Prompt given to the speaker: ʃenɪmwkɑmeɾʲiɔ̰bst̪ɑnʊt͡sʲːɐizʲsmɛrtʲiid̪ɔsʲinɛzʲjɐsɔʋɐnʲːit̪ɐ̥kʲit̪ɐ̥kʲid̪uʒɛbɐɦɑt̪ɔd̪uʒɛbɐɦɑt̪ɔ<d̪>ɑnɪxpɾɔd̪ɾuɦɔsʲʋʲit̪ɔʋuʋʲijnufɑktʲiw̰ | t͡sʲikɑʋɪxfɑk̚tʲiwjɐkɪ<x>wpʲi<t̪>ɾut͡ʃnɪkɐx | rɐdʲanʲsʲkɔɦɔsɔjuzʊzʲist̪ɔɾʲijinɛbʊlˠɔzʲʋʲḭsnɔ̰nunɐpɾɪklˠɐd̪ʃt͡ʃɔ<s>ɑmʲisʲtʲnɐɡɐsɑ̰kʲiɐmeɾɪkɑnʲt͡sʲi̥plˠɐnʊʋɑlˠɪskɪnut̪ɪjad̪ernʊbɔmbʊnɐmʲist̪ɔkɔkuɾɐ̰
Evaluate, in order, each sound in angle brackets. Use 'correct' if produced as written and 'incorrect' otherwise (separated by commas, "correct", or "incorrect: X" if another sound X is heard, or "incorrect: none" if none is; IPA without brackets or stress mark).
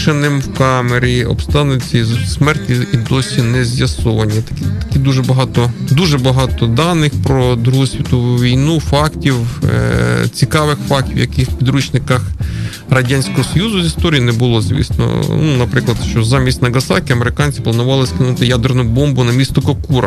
correct, correct, incorrect: d̪, incorrect: z